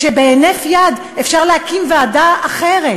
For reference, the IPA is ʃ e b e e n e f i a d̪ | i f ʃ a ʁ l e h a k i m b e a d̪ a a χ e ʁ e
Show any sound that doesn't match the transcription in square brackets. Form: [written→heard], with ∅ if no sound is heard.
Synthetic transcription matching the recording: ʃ e b e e n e f [i→j] a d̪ | [i→e] f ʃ a ʁ l e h a k i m [b→v] e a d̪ a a χ e ʁ e